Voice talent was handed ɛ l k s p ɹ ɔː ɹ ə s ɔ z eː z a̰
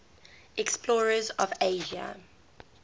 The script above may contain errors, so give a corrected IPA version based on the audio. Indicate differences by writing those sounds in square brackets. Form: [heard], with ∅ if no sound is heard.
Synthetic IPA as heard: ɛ [∅] k s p [l] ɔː ɹ ə [z] ɔ [v] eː [ʒ] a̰